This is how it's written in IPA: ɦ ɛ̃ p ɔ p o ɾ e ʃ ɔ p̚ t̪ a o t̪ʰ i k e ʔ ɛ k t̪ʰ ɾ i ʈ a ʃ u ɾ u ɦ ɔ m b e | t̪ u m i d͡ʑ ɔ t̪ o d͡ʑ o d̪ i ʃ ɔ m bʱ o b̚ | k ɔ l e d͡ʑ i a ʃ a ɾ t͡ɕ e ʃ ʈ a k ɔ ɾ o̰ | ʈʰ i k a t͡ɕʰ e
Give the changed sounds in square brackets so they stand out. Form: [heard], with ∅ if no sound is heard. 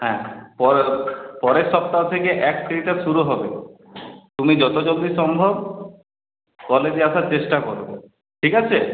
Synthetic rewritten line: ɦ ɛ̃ p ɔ p [ɔ] ɾ e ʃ ɔ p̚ t̪ a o t̪ʰ [e] k e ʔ ɛ k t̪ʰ ɾ i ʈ a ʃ u ɾ u ɦ ɔ [∅] b e | t̪ u m i d͡ʑ ɔ t̪ o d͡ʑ o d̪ i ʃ ɔ m bʱ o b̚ | k ɔ l e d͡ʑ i a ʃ a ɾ t͡ɕ e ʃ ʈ a k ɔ ɾ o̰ | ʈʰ i k a t͡ɕʰ e